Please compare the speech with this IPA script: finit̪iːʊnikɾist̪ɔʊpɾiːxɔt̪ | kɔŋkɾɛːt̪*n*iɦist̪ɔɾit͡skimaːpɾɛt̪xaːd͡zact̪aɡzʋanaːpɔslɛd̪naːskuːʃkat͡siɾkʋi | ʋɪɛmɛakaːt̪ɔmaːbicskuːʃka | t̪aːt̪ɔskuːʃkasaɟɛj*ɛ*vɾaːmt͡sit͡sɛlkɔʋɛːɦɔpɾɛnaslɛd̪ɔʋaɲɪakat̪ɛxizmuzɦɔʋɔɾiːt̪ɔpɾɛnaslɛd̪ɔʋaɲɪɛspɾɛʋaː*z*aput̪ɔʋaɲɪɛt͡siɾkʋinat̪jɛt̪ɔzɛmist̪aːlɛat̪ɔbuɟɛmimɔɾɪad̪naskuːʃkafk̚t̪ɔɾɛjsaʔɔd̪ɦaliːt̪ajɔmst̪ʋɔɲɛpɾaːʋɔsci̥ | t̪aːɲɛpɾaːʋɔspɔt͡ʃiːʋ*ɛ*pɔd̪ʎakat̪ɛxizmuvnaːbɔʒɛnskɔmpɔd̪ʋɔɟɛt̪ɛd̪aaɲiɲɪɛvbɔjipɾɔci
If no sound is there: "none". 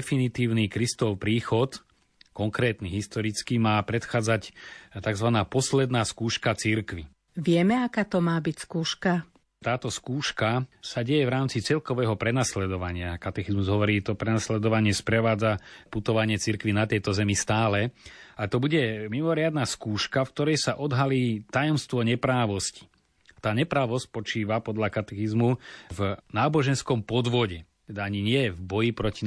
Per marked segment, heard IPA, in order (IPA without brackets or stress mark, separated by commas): n, ɛ, d͡z, a